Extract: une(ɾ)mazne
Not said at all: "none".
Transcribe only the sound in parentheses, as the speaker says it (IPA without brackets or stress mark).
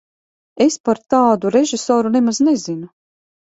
none